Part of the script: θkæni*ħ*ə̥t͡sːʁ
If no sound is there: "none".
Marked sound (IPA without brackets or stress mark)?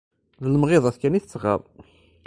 θ